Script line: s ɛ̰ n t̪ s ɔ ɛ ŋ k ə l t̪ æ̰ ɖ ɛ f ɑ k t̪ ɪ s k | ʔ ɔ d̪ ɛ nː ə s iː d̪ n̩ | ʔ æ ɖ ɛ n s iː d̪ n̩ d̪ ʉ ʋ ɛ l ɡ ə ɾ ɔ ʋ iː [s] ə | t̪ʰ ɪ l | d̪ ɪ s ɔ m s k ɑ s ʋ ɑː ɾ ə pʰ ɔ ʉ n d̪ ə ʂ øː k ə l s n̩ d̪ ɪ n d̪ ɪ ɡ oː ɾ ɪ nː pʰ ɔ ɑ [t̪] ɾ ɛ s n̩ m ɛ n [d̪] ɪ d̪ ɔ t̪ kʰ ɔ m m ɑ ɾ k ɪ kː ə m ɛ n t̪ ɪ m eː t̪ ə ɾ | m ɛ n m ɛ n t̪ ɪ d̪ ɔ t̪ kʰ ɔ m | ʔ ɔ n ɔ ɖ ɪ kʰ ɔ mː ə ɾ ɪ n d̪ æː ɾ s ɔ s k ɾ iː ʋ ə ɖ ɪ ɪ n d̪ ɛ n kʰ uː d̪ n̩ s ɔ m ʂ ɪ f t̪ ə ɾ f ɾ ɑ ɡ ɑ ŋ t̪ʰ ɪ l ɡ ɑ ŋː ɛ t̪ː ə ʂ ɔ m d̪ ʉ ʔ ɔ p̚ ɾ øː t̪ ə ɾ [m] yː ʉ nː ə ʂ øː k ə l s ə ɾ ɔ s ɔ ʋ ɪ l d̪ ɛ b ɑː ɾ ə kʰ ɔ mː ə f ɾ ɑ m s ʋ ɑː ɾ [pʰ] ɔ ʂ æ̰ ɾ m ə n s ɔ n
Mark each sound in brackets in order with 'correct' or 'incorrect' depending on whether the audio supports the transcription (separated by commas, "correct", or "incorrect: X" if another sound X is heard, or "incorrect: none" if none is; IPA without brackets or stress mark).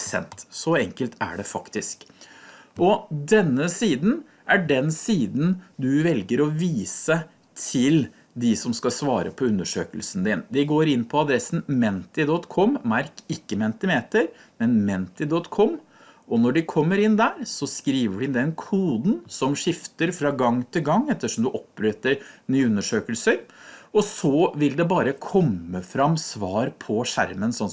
correct, incorrect: d̪, incorrect: t̪, incorrect: n, correct